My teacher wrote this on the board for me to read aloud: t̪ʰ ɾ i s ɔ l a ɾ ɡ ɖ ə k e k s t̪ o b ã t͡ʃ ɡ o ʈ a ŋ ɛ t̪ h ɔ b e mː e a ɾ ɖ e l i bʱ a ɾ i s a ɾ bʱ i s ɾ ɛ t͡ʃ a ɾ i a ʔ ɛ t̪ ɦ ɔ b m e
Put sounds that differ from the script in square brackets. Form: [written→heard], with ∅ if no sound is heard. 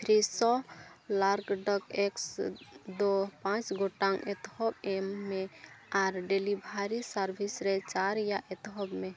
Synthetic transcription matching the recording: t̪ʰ ɾ i s ɔ l a ɾ ɡ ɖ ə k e k s [t̪→d̪] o [b→p] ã t͡ʃ ɡ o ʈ a ŋ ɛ t̪ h ɔ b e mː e a ɾ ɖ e l i bʱ a ɾ i s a ɾ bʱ i s ɾ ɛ t͡ʃ a ɾ [i→j] a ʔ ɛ t̪ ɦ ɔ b m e